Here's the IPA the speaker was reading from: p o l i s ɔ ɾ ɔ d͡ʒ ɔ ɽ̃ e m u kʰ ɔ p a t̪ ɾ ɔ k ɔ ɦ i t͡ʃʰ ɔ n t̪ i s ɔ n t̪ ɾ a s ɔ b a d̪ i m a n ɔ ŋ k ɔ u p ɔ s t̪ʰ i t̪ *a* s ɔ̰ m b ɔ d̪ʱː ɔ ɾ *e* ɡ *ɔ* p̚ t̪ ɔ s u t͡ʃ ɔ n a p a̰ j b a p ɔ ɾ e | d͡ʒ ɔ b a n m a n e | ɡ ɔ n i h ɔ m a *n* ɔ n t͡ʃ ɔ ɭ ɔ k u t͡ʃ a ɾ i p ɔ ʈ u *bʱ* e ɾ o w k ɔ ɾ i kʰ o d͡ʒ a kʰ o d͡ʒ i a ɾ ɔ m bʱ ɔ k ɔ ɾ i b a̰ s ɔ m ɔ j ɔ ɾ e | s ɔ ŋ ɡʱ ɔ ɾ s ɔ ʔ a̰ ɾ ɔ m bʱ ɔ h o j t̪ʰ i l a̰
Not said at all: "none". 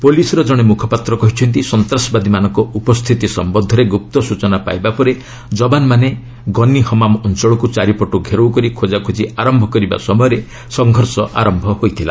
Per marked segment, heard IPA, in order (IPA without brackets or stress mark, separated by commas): i, e, u, m, ɡʱ